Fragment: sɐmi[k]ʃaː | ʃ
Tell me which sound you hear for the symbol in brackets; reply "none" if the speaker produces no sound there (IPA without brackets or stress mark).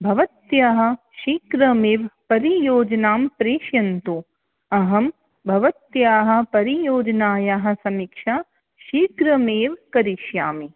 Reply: k